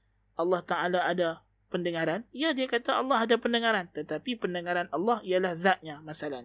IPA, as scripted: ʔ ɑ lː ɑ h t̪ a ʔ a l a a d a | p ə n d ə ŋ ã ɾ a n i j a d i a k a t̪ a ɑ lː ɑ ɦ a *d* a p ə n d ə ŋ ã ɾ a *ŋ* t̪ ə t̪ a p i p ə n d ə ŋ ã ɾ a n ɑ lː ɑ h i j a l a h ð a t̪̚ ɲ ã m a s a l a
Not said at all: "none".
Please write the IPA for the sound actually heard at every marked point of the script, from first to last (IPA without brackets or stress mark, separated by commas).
d, n